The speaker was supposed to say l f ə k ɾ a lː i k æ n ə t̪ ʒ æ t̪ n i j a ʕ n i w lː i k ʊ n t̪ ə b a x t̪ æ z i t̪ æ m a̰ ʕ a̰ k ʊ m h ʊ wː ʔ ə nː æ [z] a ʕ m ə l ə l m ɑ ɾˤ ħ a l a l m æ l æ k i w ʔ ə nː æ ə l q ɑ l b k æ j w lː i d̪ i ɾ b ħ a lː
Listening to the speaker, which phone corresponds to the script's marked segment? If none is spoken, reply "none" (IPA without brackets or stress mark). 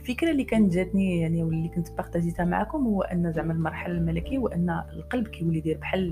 z